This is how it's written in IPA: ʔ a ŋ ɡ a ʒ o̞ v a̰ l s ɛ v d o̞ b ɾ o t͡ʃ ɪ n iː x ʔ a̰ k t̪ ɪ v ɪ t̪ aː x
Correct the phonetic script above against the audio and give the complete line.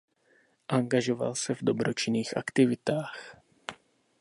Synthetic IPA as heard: ʔ a ŋ ɡ a ʒ o̞ v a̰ l s ɛ v d o̞ b ɾ o t͡ʃ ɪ n iː x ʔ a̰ k t̪ ɪ v ɪ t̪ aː x